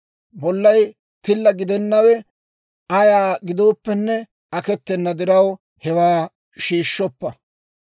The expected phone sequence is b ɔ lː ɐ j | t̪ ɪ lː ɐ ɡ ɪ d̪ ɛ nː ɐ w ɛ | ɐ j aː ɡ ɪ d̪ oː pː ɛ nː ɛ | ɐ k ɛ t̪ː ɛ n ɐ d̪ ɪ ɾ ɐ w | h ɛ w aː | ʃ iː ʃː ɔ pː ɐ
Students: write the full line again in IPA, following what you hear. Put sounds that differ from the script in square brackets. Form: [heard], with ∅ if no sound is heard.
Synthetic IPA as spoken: b ɔ lː ɐ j | t̪ ɪ lː ɐ ɡ ɪ d̪ ɛ nː ɐ w ɛ | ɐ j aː ɡ ɪ d̪ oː pː ɛ nː ɛ | ɐ k ɛ t̪ː ɛ [nː] ɐ d̪ ɪ ɾ ɐ w | h ɛ w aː | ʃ iː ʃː ɔ pː ɐ